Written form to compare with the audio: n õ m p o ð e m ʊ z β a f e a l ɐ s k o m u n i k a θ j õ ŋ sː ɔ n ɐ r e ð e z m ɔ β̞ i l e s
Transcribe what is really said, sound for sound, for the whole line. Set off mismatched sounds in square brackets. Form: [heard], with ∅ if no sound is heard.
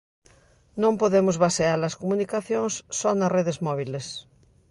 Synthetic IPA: n õ m p o ð e m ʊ z β a [s] e a l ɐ s k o m u n i k a θ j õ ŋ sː ɔ n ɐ r e ð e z m ɔ β̞ i l e s